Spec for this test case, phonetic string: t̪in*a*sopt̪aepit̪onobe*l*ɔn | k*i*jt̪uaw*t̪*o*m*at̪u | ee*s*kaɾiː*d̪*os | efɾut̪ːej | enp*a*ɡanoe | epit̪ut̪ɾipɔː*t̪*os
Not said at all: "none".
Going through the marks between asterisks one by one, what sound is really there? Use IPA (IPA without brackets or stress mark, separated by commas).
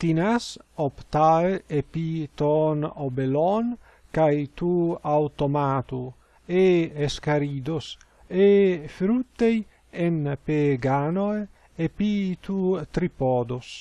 a, l, a, t̪, m, s, d̪, e, d̪